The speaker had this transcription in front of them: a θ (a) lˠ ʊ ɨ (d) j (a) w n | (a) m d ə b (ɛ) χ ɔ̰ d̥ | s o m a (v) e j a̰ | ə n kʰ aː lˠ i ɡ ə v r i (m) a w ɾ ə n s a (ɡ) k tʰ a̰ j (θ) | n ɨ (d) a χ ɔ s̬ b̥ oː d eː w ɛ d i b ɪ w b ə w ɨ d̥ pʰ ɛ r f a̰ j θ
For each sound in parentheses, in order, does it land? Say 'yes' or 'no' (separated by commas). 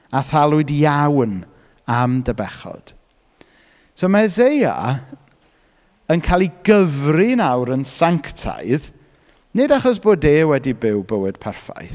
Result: yes, yes, yes, yes, yes, no, no, no, no, yes